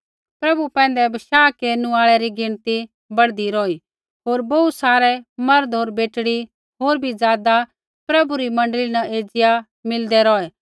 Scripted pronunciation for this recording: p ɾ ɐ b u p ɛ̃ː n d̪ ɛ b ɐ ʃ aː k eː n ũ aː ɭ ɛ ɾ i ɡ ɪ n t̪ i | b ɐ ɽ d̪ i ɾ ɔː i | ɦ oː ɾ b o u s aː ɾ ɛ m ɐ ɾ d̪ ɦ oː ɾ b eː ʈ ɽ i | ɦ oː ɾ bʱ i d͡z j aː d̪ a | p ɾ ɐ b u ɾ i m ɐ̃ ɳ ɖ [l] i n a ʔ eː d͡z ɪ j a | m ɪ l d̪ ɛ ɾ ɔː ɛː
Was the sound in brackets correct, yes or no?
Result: yes